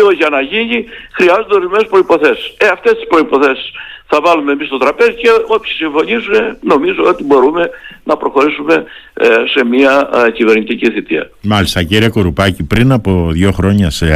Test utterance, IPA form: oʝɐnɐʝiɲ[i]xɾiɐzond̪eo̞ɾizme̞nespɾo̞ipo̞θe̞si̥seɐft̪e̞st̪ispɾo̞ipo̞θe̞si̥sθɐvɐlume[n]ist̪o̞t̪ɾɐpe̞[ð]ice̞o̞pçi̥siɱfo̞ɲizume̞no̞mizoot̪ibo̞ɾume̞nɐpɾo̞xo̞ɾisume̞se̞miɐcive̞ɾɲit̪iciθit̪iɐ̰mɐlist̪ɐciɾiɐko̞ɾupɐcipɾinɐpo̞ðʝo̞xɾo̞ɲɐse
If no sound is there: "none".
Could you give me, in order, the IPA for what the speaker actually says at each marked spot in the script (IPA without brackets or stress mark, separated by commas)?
i, m, z